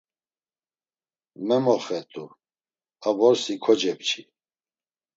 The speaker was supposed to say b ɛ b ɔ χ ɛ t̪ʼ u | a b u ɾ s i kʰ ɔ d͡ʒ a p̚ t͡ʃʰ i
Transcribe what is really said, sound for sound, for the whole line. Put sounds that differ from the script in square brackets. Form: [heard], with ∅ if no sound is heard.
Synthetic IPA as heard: [m] ɛ [m] ɔ χ ɛ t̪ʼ u | a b [ɔ] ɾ s i kʰ ɔ d͡ʒ [ɛ] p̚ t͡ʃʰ i